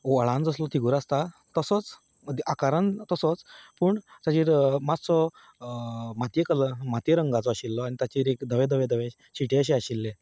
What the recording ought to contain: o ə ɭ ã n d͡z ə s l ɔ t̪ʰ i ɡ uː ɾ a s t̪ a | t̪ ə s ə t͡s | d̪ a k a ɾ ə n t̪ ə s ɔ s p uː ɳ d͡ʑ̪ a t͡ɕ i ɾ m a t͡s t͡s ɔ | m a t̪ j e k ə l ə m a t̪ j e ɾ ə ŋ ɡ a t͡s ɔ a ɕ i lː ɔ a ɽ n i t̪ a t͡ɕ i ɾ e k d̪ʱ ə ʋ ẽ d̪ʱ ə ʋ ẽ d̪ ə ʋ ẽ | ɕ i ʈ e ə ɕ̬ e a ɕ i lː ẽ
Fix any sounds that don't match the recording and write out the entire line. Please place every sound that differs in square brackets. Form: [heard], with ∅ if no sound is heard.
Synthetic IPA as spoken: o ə ɭ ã n d͡z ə s l ɔ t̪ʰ i ɡ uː ɾ a s t̪ a | t̪ ə s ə t͡s | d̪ a k a ɾ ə n t̪ ə s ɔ [t͡s] p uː ɳ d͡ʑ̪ a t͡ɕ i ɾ m a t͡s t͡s ɔ | m a t̪ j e k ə l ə m a t̪ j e ɾ ə ŋ ɡ a t͡s ɔ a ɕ i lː ɔ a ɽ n i t̪ a t͡ɕ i ɾ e k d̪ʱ ə ʋ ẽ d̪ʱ ə ʋ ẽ d̪ ə ʋ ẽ | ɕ i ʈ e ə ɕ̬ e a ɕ i lː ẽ